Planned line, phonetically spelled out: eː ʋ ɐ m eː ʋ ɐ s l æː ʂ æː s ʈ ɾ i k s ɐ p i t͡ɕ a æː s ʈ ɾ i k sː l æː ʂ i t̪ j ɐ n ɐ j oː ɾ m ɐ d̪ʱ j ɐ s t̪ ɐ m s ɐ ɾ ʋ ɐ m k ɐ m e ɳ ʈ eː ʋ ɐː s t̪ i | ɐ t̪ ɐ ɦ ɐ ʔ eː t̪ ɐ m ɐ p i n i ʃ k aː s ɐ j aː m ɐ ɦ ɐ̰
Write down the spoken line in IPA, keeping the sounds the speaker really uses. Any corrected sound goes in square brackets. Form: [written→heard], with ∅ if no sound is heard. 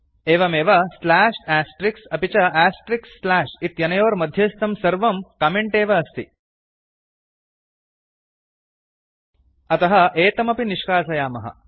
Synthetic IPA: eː ʋ ɐ m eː ʋ ɐ s l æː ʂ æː s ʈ ɾ i k s ɐ p i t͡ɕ [a→ɐ] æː s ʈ ɾ i k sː l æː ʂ i t̪ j ɐ n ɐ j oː ɾ m ɐ d̪ʱ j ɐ s t̪ ɐ m s ɐ ɾ ʋ ɐ m k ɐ m e ɳ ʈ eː ʋ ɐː s t̪ i | ɐ t̪ ɐ ɦ ɐ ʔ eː t̪ ɐ m ɐ p i n i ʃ k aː s ɐ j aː m ɐ ɦ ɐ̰